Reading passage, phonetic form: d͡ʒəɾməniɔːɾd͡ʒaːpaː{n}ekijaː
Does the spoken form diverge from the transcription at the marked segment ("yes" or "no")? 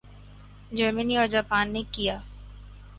yes